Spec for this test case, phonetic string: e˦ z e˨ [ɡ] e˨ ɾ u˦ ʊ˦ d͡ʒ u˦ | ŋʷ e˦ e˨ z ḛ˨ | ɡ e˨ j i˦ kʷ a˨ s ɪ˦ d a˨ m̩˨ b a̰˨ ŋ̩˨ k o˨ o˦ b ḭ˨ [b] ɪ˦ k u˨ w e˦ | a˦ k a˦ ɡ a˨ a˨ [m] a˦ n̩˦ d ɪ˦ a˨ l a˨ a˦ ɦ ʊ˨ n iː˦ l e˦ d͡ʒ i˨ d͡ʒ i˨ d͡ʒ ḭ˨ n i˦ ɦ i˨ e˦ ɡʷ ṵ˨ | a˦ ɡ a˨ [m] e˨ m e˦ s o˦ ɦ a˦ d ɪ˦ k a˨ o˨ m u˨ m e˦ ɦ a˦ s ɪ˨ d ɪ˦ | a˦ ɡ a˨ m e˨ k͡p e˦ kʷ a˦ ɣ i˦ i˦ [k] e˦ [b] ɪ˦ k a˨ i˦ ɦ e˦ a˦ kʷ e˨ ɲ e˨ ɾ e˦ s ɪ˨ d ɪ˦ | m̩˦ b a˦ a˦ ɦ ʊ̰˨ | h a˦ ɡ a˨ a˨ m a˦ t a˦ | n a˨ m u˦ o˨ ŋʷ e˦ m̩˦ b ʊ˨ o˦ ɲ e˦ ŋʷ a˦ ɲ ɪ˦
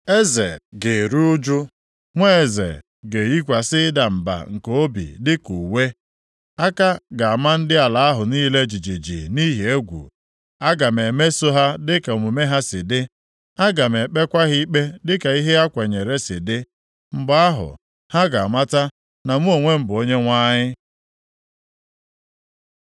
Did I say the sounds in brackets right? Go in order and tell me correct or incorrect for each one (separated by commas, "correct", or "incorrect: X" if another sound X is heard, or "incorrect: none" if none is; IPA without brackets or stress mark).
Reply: correct, incorrect: d, correct, correct, incorrect: k͡p, incorrect: d